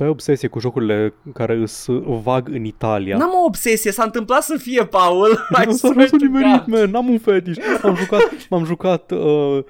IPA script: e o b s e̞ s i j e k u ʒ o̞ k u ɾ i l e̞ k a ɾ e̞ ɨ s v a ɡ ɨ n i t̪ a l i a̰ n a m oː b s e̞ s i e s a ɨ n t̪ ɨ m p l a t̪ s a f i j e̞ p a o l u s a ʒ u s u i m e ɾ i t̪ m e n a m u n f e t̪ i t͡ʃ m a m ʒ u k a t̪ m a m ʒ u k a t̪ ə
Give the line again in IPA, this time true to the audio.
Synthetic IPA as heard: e o b s e̞ s i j e k u ʒ o̞ k u ɾ i l e̞ k a ɾ e̞ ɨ s v a ɡ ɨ n i t̪ a l i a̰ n a m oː b s e̞ s i e s a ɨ n t̪ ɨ m p l a t̪ s ə f i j e̞ p a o l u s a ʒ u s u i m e ɾ i t̪ m e n a m u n f e t̪ i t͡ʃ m a m ʒ u k a t̪ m a m ʒ u k a t̪ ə